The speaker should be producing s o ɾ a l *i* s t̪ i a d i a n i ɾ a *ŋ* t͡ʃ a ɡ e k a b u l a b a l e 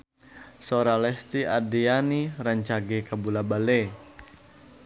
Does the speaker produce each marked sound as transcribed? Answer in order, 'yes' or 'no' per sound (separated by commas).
no, no